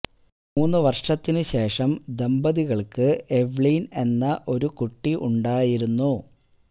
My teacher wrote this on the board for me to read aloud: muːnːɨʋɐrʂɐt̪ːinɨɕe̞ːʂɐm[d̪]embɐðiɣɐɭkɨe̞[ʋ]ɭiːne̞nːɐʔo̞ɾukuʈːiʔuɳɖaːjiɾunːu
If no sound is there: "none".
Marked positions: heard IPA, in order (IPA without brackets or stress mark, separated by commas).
d̪, ʋ